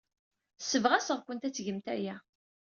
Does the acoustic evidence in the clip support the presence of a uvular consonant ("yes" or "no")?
yes